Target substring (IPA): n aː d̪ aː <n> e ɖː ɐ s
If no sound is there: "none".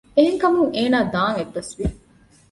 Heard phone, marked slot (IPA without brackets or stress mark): ŋ